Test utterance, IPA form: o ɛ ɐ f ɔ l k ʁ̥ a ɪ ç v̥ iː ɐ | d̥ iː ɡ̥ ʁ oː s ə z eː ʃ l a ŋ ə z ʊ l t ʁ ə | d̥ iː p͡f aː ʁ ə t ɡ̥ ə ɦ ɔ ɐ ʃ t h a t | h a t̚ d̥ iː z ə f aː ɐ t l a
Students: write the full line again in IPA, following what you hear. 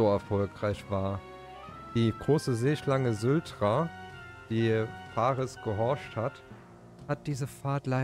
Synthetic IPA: o ɛ ɐ f ɔ l k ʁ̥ a ɪ ç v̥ aː ɐ | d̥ iː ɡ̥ ʁ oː s ə z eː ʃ l a ŋ ə z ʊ l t ʁ a | d̥ iː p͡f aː ʁ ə s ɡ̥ ə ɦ ɔ ɐ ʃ t h a t | h a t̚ d̥ iː z ə f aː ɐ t l a

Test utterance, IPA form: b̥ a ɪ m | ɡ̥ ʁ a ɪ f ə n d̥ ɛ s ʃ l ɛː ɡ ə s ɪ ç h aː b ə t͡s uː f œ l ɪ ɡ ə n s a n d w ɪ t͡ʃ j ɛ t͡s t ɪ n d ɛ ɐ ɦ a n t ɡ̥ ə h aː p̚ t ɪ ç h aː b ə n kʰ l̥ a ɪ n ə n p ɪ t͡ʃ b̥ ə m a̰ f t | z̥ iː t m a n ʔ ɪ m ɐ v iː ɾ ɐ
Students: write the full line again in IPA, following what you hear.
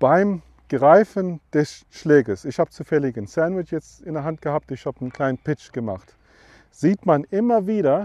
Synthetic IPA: b̥ a ɪ m | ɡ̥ ʁ a ɪ f ə n d̥ ɛ s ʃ l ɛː ɡ ə s ɪ ç h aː b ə t͡s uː f ɛ l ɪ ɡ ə n s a n d w ɪ t͡ʃ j ɛ t͡s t ɪ n d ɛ ɐ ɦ a n t ɡ̥ ə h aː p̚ t ɪ ç h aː b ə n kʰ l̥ a ɪ n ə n p ɪ t͡ʃ ɡ̥ ə m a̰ χ t | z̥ iː t m a n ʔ ɪ m ɐ v iː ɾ ɐ

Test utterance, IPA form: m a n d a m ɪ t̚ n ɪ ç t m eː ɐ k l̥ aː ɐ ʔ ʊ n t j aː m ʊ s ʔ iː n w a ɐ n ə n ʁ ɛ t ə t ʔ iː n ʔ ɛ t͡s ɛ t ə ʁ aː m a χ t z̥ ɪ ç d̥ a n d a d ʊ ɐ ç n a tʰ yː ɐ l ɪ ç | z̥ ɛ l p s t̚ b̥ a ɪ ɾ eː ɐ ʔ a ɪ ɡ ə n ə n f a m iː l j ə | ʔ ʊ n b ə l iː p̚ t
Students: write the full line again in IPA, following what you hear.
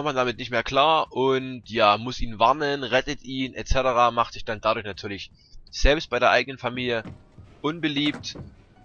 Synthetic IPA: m a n d a m ɪ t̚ n ɪ ç t m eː ɐ k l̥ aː ɐ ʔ ʊ n t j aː m ʊ s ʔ iː n v a ɐ n ə n ʁ ɛ t ə t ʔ iː n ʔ ɛ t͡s ɛ t ə ʁ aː m a χ t z̥ ɪ ç d̥ a n d a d ʊ ɐ ç n a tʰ yː ɐ l ɪ ç | z̥ ɛ l p s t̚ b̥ a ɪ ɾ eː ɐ ʔ a ɪ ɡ ə n ə n f a m iː l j ə | ʔ ʊ n b ə l iː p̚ t

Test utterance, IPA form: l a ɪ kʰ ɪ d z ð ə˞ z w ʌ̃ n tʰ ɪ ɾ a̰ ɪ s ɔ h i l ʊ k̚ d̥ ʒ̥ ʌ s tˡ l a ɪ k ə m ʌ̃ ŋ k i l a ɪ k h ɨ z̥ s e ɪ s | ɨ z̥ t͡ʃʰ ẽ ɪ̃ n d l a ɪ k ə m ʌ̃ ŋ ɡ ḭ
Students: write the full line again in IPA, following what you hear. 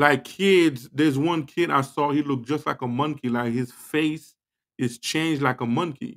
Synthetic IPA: l a ɪ kʰ ɪ d z ð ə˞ z w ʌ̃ n kʰ ɪ ɾ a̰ ɪ s ɔ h i l ʊ k̚ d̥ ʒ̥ ʌ s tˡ l a ɪ k ə m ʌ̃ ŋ k i l a ɪ k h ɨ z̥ f e ɪ s | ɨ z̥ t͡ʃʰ ẽ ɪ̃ n d͡ʒ l a ɪ k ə m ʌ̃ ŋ k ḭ

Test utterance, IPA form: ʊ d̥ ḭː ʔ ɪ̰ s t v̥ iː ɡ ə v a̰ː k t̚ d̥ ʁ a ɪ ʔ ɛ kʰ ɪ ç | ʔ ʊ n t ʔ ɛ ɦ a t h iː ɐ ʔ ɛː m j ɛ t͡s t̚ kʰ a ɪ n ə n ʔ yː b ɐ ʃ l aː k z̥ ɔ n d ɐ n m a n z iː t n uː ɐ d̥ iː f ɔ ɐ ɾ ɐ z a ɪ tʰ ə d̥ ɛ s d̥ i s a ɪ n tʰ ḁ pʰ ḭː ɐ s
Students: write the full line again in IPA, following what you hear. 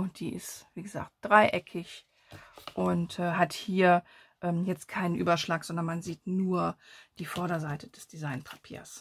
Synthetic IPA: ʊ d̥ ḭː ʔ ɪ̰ s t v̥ iː ɡ ə z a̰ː k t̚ d̥ ʁ a ɪ ʔ ɛ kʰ ɪ ç | ʔ ʊ n t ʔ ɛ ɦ a t h iː ɐ ʔ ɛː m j ɛ t͡s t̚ kʰ a ɪ n ə n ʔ yː b ɐ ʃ l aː k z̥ ɔ n d ɐ n m a n z iː t n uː ɐ d̥ iː f ɔ ɐ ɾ ɐ z a ɪ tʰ ə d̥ ɛ s d̥ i z a ɪ n pʰ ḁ pʰ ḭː ɐ s

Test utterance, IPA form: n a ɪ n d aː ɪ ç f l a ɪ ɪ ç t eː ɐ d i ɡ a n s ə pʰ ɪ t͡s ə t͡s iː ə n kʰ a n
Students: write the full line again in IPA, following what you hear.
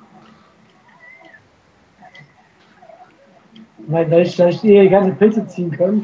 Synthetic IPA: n a ɪ n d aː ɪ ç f l a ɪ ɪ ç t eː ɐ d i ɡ a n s ə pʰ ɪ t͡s ə t͡s iː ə n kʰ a n

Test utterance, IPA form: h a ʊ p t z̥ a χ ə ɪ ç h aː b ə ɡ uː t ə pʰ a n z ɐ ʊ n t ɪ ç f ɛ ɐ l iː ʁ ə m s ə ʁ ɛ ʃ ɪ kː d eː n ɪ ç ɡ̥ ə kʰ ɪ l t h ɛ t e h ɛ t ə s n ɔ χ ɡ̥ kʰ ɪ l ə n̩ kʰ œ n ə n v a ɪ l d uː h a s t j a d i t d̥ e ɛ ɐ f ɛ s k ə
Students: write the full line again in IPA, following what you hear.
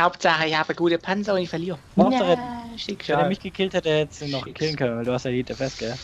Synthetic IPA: h a ʊ p t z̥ a χ ə ɪ ç h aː b ə ɡ uː t ə pʰ a n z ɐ ʊ n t ɪ ç f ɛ ɐ l iː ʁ ə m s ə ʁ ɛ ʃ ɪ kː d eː m ɪ ç ɡ̥ ə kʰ ɪ l t h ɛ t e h ɛ t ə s n ɔ χ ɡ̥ kʰ ɪ l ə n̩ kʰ œ n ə n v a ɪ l d uː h a s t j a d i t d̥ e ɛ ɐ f ɛ s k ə

